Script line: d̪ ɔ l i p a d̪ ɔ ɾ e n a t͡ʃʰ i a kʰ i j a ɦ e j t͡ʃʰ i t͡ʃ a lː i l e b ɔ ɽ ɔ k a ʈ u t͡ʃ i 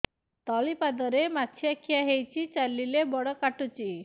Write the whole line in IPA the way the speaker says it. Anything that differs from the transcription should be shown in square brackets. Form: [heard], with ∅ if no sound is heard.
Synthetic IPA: [t̪] ɔ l i p a d̪ ɔ ɾ e [m] a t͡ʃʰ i a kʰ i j a ɦ e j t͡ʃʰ i t͡ʃ a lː i l e b ɔ ɽ ɔ k a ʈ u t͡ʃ i